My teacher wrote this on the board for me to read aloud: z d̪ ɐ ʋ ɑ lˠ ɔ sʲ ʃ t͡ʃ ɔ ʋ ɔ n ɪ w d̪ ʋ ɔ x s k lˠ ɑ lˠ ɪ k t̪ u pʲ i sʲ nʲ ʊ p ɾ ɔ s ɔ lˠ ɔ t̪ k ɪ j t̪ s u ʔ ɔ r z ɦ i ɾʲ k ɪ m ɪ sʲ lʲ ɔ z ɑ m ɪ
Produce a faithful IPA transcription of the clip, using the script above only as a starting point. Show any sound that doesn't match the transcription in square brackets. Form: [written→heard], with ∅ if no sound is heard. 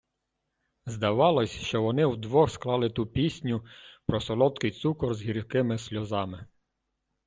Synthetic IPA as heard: z d̪ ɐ ʋ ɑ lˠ ɔ sʲ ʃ t͡ʃ ɔ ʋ ɔ n ɪ w d̪ ʋ ɔ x s k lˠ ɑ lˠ ɪ [k→∅] t̪ u pʲ i sʲ nʲ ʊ p ɾ ɔ s ɔ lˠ ɔ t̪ k ɪ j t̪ s u [ʔ→k] ɔ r z ɦ i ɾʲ k ɪ m ɪ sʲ lʲ ɔ z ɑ m ɪ

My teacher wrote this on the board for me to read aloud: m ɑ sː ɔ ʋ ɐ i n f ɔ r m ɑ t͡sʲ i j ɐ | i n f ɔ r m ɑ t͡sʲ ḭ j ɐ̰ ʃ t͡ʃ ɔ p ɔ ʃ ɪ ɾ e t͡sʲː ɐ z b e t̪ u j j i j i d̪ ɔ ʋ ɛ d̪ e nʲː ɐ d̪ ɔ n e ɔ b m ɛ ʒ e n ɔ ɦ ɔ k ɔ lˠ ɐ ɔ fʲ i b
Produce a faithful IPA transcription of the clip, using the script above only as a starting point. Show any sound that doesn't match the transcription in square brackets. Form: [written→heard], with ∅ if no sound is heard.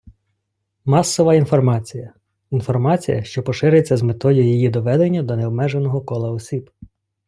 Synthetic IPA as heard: m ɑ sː ɔ ʋ ɐ i n f ɔ r m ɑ t͡sʲ i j ɐ | i n f ɔ r m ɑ t͡sʲ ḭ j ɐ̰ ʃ t͡ʃ ɔ p ɔ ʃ ɪ ɾ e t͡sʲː ɐ z [b→m] e t̪ [u→ɔ] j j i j i d̪ ɔ ʋ ɛ d̪ e nʲː ɐ d̪ ɔ n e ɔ b m ɛ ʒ e n ɔ ɦ ɔ k ɔ lˠ ɐ ɔ [fʲ→sʲ] i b

